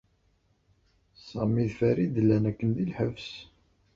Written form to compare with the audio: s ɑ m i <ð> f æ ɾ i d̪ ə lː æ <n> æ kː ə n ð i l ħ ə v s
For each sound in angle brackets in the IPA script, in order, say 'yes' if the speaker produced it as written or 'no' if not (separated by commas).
yes, yes